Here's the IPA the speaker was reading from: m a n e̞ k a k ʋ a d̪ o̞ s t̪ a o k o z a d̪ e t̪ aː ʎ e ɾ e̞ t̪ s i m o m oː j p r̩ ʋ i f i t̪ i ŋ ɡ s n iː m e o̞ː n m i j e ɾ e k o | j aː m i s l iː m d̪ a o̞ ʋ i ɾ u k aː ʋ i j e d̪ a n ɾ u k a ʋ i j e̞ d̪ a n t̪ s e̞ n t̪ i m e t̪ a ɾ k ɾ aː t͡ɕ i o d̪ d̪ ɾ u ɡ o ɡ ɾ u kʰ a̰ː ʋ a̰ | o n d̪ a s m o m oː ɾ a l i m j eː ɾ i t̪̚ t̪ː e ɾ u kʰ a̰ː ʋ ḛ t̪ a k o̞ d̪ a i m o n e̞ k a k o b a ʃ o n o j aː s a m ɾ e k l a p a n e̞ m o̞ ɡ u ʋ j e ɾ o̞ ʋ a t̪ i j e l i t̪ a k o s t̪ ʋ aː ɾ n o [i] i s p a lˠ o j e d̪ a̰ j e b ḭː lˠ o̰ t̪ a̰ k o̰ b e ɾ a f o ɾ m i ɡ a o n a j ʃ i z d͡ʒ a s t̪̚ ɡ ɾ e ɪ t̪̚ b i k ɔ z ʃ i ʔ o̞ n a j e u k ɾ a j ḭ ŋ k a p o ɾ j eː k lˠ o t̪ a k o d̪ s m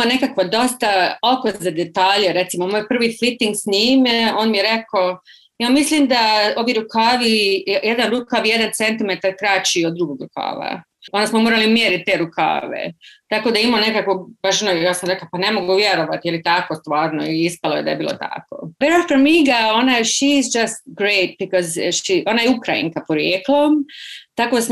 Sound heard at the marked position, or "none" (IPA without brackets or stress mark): i